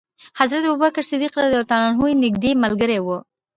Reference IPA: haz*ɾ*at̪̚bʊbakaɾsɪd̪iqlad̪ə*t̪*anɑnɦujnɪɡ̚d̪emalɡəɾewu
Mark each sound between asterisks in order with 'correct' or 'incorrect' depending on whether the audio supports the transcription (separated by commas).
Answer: correct, correct